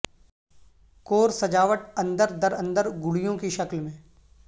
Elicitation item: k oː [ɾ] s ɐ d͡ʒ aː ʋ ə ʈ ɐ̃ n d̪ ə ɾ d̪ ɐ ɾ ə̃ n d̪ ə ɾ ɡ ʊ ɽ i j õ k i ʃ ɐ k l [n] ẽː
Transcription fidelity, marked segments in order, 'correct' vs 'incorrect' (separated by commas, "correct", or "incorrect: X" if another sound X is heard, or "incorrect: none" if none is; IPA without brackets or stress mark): correct, incorrect: m